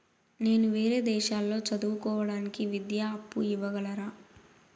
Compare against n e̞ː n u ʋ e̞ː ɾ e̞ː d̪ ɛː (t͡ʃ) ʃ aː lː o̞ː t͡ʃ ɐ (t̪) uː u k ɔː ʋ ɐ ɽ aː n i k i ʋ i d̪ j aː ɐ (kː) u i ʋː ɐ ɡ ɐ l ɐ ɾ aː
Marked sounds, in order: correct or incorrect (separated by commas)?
incorrect, incorrect, incorrect